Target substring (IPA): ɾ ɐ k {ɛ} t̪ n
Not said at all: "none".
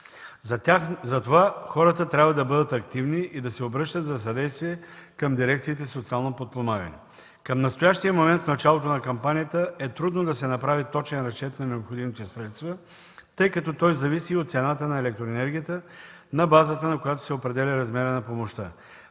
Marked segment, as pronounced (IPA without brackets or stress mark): ɛ